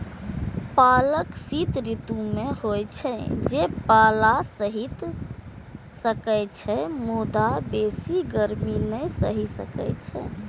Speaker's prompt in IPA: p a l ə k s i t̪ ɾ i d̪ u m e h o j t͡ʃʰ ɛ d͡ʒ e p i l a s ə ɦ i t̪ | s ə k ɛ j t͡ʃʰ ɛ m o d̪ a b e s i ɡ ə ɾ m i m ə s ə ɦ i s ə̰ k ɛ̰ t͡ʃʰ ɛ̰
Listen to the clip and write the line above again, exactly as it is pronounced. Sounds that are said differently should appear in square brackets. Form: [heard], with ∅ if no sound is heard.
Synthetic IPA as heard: p a l ə k s i t̪ ɾ i [t̪] u m e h o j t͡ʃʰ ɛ d͡ʒ e p [a] l a s ə ɦ i t̪ | s ə k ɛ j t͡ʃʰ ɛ m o d̪ a b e s i ɡ ə ɾ m i [n] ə s ə ɦ i s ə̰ k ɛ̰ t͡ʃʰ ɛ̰